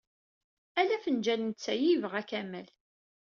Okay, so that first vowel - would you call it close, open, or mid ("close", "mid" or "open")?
open